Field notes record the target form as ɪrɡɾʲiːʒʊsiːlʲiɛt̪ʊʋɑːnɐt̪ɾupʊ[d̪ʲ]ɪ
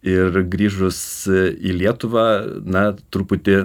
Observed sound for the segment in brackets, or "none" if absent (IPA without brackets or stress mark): t̪ʲ